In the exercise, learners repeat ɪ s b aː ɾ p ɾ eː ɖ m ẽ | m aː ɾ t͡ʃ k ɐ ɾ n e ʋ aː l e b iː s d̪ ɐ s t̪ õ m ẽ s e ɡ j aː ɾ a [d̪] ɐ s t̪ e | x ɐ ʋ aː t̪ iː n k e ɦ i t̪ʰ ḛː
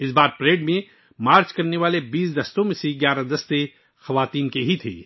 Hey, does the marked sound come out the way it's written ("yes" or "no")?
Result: yes